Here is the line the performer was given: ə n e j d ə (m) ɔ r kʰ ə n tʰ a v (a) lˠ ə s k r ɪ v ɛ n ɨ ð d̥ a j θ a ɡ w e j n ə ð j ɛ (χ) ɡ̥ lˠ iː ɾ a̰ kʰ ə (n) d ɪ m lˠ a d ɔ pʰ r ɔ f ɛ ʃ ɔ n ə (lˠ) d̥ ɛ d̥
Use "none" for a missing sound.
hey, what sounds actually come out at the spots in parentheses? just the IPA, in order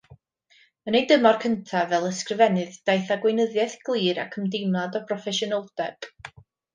m, ɛ, θ, m, lˠ

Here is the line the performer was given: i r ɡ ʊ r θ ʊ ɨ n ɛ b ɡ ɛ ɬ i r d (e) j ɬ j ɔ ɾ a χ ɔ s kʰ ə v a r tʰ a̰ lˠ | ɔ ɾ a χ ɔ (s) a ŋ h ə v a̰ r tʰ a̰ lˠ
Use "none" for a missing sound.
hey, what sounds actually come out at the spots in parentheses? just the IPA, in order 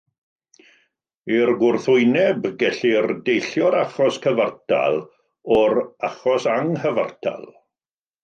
e, s

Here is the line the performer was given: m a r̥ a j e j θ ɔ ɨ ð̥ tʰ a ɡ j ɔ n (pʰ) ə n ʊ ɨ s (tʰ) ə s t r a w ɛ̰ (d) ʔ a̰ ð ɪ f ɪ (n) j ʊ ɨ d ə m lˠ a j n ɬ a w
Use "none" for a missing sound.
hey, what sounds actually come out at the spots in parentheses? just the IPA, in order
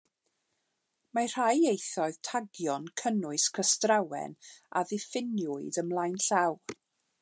kʰ, kʰ, n, n

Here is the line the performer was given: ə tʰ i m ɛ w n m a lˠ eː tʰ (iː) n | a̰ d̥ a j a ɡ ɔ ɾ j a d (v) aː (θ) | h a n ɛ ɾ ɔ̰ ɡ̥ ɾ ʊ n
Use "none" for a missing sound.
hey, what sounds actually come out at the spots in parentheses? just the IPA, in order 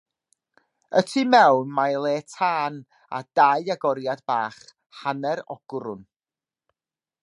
aː, b, χ

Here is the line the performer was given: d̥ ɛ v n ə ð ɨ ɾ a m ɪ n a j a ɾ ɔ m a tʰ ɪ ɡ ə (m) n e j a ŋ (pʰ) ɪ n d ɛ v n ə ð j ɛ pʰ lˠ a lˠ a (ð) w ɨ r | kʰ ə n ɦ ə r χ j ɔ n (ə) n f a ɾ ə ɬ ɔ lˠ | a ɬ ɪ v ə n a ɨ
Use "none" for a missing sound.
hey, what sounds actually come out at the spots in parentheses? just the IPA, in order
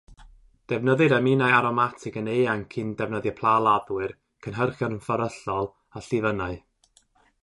none, kʰ, ð, ə

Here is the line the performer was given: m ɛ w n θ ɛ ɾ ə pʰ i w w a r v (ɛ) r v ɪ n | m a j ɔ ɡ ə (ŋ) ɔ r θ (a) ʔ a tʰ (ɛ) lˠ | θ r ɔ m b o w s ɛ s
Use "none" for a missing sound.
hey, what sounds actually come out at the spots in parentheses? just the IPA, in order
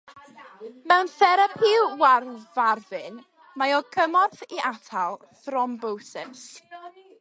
a, m, i, a

